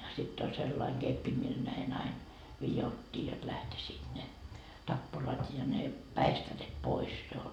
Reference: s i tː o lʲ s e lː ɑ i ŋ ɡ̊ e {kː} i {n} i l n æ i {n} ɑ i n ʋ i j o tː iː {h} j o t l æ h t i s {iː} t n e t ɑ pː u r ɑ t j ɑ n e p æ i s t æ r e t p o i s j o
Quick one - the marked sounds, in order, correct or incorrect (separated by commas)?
incorrect, incorrect, correct, incorrect, correct